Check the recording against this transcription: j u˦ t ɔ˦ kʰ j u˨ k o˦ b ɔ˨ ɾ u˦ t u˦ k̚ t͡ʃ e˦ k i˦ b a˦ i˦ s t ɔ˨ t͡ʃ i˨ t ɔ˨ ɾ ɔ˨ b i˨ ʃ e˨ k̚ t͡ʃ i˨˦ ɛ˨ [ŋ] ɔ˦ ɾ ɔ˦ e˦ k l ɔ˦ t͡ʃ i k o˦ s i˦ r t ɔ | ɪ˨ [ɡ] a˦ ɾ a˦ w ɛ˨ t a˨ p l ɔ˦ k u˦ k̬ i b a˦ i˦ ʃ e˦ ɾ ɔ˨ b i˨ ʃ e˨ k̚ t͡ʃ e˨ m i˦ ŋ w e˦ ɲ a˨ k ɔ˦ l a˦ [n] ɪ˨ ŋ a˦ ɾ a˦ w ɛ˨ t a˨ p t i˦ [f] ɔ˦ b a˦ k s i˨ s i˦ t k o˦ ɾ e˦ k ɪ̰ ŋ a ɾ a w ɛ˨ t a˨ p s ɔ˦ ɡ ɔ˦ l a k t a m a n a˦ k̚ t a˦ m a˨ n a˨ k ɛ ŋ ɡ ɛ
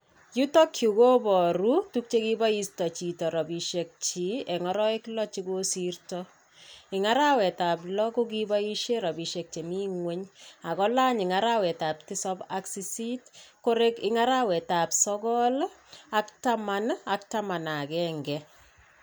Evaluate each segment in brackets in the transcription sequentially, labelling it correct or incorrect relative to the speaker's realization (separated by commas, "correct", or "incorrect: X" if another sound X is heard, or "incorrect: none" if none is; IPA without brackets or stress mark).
correct, incorrect: ŋ, incorrect: ɲ, incorrect: s